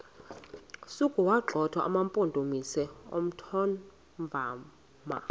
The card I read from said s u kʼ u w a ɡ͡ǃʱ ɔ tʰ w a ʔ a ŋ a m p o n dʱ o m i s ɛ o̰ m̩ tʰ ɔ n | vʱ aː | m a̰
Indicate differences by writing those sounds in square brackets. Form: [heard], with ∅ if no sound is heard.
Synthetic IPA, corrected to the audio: s u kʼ u w a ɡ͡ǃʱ ɔ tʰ w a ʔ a [m] a m [pʼ] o n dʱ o m i s ɛ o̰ m̩ tʰ ɔ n | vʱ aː | m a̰